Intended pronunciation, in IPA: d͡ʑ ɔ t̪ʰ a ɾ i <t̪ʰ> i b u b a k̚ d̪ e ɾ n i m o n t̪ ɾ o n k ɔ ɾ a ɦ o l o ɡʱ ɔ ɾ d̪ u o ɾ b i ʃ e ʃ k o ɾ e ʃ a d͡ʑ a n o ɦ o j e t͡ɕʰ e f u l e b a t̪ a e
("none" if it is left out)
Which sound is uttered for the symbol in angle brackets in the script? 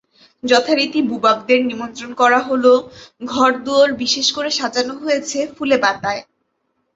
t̪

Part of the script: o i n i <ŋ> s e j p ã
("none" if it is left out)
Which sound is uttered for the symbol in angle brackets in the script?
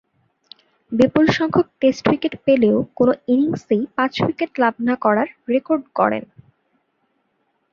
ŋ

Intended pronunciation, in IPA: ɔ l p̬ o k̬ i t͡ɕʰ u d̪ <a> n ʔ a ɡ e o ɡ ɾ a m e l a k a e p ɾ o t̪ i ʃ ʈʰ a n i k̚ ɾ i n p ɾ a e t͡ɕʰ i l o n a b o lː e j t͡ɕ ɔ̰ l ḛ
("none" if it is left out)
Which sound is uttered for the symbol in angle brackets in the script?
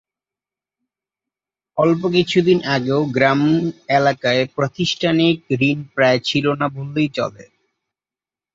i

